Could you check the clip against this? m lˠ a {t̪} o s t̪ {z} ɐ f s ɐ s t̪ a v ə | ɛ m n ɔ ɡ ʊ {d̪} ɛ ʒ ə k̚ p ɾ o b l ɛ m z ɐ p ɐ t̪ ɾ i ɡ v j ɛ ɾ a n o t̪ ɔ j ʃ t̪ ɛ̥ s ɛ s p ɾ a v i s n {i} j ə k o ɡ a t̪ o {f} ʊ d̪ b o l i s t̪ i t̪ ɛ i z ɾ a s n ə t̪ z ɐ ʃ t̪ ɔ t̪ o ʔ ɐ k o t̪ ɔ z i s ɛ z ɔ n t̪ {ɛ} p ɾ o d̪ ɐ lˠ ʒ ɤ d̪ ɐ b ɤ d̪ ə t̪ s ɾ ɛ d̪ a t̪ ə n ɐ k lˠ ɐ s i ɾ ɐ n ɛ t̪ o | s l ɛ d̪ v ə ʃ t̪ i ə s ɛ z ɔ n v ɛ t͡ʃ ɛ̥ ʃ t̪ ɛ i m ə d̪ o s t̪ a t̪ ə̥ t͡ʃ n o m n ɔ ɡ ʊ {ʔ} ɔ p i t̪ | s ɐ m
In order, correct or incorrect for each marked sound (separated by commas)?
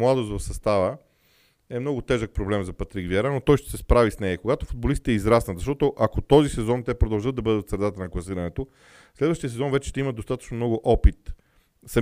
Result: incorrect, incorrect, incorrect, incorrect, correct, correct, correct